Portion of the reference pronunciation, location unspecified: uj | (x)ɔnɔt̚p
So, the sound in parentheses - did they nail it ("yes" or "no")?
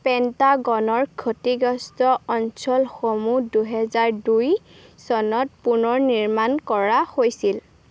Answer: no